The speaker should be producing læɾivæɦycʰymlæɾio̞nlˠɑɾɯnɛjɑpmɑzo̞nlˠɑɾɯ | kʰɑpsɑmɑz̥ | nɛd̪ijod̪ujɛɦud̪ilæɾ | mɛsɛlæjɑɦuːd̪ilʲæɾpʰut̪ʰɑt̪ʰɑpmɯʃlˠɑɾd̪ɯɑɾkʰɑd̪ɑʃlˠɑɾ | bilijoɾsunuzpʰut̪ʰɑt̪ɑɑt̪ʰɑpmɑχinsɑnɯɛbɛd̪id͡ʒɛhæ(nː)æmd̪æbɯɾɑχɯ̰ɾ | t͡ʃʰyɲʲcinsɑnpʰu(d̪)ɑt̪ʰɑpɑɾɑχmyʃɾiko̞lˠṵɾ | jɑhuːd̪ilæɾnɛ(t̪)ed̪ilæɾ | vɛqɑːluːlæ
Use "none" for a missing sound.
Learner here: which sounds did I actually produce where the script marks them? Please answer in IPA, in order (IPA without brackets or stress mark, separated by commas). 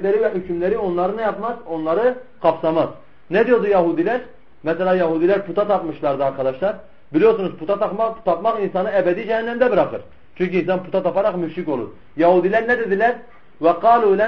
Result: nː, t̪, d̪